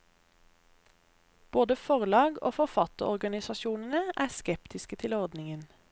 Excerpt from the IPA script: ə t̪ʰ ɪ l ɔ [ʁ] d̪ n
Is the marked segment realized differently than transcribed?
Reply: no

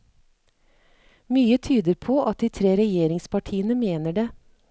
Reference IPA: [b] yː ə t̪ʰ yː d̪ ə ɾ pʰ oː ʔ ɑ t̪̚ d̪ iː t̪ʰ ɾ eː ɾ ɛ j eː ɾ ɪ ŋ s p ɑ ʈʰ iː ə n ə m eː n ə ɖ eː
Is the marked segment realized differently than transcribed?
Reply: yes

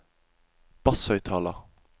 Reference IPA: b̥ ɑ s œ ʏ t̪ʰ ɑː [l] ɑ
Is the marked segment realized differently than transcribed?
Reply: no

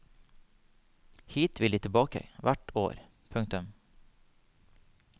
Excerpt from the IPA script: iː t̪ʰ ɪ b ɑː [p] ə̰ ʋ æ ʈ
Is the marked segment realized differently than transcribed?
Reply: yes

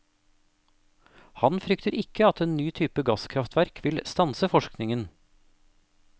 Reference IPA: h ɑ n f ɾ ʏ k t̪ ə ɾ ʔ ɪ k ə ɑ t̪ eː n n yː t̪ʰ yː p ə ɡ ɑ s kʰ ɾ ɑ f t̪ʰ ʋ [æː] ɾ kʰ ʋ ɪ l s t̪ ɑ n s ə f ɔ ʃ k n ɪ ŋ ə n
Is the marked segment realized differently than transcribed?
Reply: yes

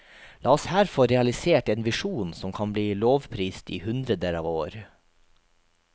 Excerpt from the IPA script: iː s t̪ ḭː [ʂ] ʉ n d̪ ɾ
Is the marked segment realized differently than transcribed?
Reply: yes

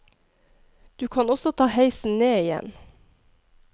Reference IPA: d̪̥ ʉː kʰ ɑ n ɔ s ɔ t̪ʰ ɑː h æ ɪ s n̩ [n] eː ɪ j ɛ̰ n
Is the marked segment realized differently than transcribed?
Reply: no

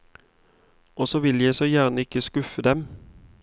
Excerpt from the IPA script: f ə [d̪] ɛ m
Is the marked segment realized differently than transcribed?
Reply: no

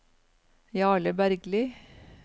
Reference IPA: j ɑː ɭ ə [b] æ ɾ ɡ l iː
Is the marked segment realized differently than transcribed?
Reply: no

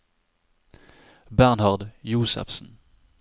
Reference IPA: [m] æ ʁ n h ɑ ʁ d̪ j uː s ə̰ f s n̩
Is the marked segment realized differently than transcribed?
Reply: yes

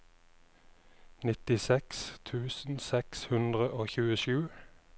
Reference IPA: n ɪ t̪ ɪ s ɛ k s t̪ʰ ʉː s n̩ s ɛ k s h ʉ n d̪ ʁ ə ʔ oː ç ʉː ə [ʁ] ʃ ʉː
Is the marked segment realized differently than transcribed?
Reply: yes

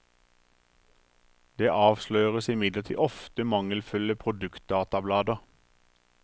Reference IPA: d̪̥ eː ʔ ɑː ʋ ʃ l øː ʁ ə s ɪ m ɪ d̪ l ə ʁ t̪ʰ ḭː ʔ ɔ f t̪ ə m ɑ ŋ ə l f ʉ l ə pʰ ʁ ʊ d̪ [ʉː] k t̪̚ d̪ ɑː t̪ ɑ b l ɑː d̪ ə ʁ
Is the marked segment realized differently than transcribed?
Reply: yes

